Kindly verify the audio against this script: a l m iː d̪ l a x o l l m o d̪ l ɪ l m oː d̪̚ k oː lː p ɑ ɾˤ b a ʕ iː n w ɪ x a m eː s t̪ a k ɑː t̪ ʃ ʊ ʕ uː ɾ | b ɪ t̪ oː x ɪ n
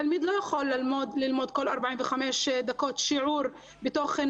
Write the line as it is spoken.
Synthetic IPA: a l m iː d̪ l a x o l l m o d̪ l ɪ l m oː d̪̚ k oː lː ʔ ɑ ɾˤ b a ʕ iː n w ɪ x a m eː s d̪ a k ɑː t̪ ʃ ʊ ʕ uː ɾ | b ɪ t̪ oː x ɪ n